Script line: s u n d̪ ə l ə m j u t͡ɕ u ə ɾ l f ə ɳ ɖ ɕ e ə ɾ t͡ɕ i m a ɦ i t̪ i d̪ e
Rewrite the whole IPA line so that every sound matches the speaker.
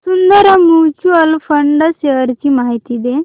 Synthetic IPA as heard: s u n d̪ ə ɾ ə m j u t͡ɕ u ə l f ə ɳ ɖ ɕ e ə ɾ t͡ɕ i m a ɦ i t̪ i d̪ e